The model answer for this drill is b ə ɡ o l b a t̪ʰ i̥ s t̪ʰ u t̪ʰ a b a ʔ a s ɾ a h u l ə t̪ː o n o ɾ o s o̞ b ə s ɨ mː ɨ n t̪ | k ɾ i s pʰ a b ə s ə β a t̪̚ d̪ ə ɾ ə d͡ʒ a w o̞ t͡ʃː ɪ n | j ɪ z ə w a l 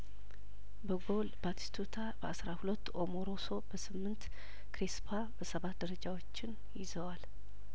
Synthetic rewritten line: b ə ɡ o l b a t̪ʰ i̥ s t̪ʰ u t̪ʰ a b ə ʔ a s ɾ a h u l ə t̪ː o m o ɾ o s o̞ b ə s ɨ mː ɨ n t̪ | k ɾ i s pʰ a b ə s ə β a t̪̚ d̪ ə ɾ ə d͡ʒ a w o̞ t͡ʃː ɪ n | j ɪ z ə w a l

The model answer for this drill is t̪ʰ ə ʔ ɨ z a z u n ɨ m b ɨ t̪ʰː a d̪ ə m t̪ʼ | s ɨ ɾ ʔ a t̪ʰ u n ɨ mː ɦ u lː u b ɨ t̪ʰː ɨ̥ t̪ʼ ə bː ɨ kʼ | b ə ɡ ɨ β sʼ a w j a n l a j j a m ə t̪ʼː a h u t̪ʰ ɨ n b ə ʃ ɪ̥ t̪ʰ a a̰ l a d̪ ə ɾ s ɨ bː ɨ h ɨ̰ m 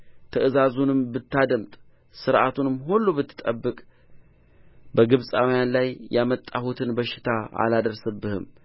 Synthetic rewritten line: t̪ʰ ə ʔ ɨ z a z u n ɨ m b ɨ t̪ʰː a d̪ ə m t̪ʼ | s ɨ ɾ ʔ a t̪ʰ u n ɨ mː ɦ u lː u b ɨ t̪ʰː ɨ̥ t̪ʼ ə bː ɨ kʼ | b ə ɡ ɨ β sʼ a w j a n l a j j a m ə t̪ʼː a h u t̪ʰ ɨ n b ə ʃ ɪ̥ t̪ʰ a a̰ l a d̪ ə ɾ s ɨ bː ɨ h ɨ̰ m

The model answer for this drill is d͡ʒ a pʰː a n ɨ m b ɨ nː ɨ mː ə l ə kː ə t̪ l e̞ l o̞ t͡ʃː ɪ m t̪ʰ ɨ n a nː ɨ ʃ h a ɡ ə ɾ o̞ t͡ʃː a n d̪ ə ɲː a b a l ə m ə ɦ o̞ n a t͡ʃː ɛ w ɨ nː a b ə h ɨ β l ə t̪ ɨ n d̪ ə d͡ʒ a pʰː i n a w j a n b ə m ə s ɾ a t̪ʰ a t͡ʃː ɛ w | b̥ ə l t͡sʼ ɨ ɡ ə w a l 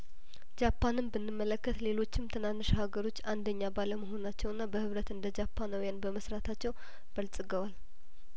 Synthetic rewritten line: d͡ʒ a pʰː a n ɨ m b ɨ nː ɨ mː ə l ə kː ə t̪ l e̞ l o̞ t͡ʃː ɪ m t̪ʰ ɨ n a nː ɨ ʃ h a ɡ ə ɾ o̞ t͡ʃː a n d̪ ə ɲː a b a l ə m ə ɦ o̞ n a t͡ʃː ɛ w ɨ nː a b ə h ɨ β ɾ ə t̪ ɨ n d̪ ə d͡ʒ a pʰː a n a w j a n b ə m ə s ɾ a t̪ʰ a t͡ʃː ɛ w | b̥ ə l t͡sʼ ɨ ɡ ə w a l

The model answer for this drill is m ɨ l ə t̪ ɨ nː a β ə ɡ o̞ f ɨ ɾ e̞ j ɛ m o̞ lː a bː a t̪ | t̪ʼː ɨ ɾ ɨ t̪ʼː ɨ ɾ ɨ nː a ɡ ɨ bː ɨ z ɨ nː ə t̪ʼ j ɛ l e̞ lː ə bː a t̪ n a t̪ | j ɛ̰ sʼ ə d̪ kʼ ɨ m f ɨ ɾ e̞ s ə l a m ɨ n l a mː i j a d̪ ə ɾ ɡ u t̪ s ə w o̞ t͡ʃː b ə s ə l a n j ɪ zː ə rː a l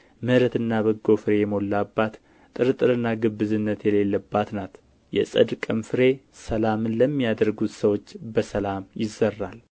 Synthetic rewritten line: m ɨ ɾ ə t̪ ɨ nː a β ə ɡ o̞ f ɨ ɾ e̞ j ɛ m o̞ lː a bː a t̪ | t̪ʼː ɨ ɾ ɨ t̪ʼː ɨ ɾ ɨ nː a ɡ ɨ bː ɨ z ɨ nː ə t̪ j ɛ l e̞ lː ə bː a t̪ n a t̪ | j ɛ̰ sʼ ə d̪ kʼ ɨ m f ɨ ɾ e̞ s ə l a m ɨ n l ə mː i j a d̪ ə ɾ ɡ u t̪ s ə w o̞ t͡ʃː b ə s ə l a m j ɪ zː ə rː a l

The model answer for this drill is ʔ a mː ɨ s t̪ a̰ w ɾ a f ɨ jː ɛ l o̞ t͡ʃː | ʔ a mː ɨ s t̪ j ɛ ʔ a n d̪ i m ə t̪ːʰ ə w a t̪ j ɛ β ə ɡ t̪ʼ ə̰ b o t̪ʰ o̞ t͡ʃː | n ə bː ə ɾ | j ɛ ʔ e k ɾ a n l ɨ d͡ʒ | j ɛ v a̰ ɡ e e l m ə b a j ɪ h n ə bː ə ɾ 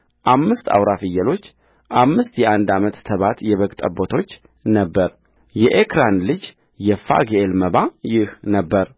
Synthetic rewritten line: ʔ a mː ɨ s t̪ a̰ w ɾ a f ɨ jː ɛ l o̞ t͡ʃː | ʔ a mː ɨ s t̪ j ɛ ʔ a n d̪ a m ə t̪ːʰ ə β a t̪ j ɛ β ə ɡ t̪ʼ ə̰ b o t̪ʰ o̞ t͡ʃː | n ə bː ə ɾ | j ɛ ʔ e k ɾ a n l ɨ d͡ʒ | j ɛ f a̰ ɡ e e l m ə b a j ɪ h n ə bː ə ɾ

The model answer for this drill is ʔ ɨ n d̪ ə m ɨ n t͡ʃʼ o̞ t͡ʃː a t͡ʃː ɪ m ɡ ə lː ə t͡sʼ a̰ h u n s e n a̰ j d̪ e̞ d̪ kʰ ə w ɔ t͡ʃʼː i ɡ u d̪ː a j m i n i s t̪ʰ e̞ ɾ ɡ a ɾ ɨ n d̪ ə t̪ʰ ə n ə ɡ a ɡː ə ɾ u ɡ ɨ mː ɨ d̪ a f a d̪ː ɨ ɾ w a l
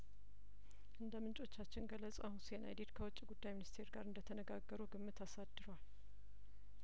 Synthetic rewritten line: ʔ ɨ n d̪ ə m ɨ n t͡ʃʼ o̞ t͡ʃː a t͡ʃː ɪ n ɡ ə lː ə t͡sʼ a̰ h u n s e n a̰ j d̪ e̞ d̪ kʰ ə w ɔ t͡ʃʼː i ɡ u d̪ː a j m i n i s t̪ʰ e̞ ɾ ɡ a ɾ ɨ n d̪ ə t̪ʰ ə n ə ɡ a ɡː ə ɾ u ɡ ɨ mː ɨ t̪ a s a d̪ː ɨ ɾ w a l

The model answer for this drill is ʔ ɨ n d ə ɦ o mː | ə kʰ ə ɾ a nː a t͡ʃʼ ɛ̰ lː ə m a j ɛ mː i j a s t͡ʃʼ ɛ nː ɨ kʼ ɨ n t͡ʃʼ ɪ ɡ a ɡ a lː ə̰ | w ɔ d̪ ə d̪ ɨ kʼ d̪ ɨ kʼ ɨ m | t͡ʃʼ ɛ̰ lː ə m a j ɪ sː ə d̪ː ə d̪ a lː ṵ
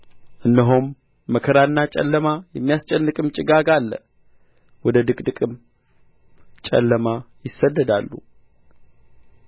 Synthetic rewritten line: ʔ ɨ n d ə ɦ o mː | ə kʰ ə ɾ a nː a t͡ʃʼ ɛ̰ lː ə m a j ɛ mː i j a s t͡ʃʼ ɛ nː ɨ kʼ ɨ m t͡ʃʼ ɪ ɡ a ɡ a lː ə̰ | w ɔ d̪ ə d̪ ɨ kʼ d̪ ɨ kʼ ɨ m | t͡ʃʼ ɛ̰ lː ə m a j ɪ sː ə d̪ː ə d̪ a lː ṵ

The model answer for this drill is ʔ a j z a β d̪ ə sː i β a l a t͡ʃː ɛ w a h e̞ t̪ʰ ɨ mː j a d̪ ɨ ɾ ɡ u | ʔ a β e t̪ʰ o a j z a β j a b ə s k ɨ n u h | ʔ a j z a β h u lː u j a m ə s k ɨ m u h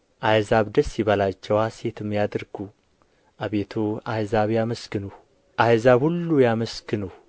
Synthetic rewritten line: ʔ a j z a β d̪ ə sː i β a l a t͡ʃː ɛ w a s e̞ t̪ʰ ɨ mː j a d̪ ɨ ɾ ɡ u | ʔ a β e t̪ʰ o a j z a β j a m ə s k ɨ n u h | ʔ a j z a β h u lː u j a m ə s k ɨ n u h

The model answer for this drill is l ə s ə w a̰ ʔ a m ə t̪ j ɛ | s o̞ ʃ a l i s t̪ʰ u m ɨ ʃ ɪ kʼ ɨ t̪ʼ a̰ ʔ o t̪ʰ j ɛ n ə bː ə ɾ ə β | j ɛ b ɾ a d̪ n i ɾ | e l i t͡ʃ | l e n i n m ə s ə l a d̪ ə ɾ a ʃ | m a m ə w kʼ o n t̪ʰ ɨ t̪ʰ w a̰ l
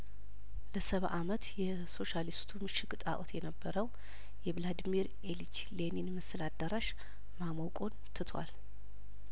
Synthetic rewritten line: l ə s ə β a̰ ʔ a m ə t̪ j ɛ | s o̞ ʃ a l i s t̪ʰ u m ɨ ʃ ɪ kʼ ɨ t̪ʼ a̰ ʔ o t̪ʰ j ɛ n ə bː ə ɾ ə w | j ɛ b l a d̪ m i ɾ | e l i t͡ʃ | l e n i n m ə s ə l a d̪ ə ɾ a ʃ | m a m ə w kʼ o n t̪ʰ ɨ t̪ʰ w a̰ l

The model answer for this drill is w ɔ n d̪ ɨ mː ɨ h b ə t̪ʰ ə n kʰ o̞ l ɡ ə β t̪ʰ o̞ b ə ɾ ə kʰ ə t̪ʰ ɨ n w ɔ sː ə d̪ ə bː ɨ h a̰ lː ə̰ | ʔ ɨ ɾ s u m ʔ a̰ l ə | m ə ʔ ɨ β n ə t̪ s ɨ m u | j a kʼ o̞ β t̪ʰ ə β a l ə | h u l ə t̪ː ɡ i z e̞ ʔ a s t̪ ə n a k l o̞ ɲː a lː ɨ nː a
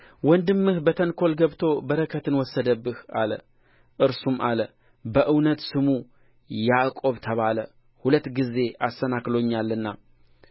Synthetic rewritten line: w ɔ n d̪ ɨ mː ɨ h b ə t̪ʰ ə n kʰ o̞ l ɡ ə β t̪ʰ o̞ b ə ɾ ə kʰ ə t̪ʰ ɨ n w ɔ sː ə d̪ ə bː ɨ h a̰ l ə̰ | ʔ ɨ ɾ s u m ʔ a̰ l ə | b ə ʔ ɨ w n ə t̪ s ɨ m u | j a kʼ o̞ β t̪ʰ ə β a l ə | h u l ə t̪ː ɡ i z e̞ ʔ a s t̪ ə n a k l o̞ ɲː a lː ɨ nː a

